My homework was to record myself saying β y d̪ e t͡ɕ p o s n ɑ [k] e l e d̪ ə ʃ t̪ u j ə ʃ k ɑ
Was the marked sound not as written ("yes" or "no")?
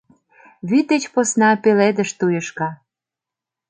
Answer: yes